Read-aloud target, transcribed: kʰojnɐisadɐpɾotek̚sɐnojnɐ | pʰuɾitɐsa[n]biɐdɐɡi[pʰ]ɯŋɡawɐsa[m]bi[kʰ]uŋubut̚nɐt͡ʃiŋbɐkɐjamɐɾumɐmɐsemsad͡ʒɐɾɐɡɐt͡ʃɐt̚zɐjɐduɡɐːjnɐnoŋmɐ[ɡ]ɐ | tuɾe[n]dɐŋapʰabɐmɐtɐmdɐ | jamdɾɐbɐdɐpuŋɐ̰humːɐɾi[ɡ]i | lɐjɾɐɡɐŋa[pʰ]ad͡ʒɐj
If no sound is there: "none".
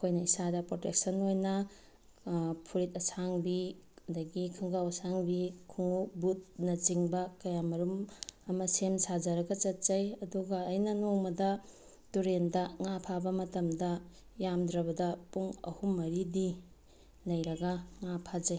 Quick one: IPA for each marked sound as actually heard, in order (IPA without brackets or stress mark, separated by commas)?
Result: ŋ, kʰ, ŋ, kʰ, d, n, d, pʰ